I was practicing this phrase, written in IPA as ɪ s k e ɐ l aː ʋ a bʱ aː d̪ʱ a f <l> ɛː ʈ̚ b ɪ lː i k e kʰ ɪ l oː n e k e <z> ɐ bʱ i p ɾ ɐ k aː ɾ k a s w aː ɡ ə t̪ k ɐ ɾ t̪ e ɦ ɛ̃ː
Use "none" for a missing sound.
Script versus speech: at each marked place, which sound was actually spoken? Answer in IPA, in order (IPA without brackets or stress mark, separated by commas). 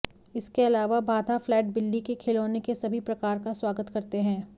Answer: l, s